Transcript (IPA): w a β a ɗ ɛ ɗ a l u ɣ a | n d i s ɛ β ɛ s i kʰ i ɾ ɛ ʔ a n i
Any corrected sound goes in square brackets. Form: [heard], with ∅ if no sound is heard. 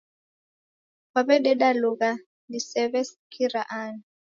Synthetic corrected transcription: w a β [ɛ] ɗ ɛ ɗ a l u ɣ a | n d i s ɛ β ɛ s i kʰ i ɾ [a] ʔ a n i